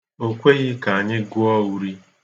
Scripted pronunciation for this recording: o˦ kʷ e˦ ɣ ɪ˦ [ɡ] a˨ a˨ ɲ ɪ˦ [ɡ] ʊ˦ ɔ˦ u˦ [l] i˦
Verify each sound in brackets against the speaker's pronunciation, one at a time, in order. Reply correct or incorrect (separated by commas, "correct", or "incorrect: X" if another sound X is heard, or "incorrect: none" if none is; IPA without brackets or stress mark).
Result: incorrect: k, correct, incorrect: ɾ